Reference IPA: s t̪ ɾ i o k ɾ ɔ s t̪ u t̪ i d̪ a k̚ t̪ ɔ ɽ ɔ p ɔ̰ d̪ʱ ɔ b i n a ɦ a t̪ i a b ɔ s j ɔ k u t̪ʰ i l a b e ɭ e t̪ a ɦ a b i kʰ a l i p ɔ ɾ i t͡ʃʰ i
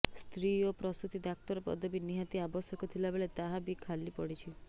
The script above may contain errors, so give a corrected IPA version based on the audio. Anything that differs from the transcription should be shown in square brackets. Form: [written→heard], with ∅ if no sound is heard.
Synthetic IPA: s t̪ ɾ i o [k→p] ɾ ɔ s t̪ u t̪ i d̪ a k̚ t̪ ɔ [ɽ→ɾ] ɔ p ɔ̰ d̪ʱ ɔ b i n [a→i] ɦ a t̪ i a b ɔ s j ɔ k [u→ɔ] t̪ʰ i l a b e ɭ e t̪ a ɦ a b i kʰ a l i p ɔ [ɾ→ɽ] i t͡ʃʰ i